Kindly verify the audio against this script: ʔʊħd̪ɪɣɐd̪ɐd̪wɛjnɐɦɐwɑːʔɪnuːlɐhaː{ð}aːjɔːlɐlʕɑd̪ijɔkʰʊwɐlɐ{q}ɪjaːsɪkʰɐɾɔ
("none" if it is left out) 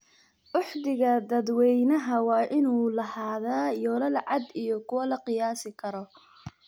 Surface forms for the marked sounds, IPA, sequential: ð, q

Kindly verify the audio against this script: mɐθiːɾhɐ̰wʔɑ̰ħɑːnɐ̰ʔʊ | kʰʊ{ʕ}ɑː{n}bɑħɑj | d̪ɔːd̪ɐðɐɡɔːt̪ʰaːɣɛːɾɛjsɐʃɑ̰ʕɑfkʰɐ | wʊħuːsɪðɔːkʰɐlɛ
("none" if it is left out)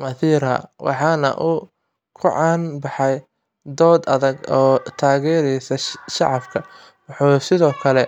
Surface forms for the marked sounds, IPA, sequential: ʕ, n

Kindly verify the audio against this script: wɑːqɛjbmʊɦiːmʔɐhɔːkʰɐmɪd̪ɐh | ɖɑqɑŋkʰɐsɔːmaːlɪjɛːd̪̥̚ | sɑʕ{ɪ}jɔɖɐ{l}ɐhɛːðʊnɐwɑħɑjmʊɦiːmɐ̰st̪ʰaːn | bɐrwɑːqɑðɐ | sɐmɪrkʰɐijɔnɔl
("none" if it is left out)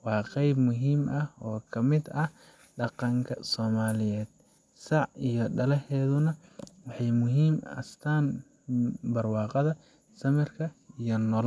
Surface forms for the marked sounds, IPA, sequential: i, l

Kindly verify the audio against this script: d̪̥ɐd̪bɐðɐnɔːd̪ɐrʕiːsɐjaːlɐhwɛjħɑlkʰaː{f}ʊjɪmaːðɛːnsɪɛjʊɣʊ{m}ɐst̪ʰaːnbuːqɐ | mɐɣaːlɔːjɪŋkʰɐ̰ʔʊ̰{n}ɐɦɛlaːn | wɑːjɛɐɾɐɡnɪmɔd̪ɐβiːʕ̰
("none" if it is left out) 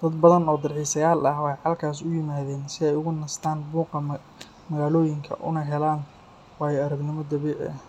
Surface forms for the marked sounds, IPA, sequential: s, n, n

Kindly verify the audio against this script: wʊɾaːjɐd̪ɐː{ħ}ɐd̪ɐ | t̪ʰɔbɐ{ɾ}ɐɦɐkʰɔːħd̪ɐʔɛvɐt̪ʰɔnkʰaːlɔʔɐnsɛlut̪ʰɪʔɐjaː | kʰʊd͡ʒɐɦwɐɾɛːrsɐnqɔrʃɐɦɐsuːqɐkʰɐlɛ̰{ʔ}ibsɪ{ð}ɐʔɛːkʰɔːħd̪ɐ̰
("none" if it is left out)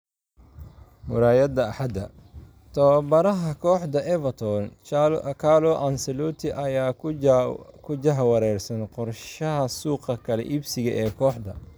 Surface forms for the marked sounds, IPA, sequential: ħ, ɾ, ʔ, ɣ

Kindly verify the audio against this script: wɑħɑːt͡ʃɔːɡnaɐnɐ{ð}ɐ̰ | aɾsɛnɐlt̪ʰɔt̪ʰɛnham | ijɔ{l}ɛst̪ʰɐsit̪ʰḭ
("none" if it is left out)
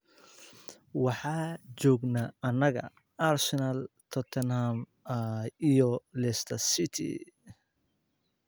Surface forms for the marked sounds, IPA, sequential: ɣ, l

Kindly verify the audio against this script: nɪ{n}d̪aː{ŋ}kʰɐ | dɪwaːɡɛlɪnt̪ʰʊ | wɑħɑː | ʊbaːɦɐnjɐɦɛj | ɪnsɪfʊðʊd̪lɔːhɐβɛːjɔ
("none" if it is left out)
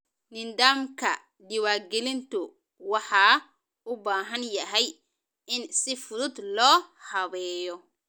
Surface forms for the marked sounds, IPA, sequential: n, m

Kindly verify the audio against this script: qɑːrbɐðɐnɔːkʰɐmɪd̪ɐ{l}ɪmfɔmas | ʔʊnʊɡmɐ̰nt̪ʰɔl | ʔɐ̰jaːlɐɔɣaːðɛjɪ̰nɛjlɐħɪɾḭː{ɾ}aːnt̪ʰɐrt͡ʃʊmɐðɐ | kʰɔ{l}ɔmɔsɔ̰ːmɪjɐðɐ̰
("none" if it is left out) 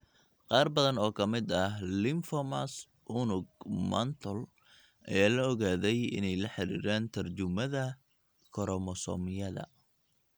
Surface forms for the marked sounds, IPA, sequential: l, ɾ, ɾ

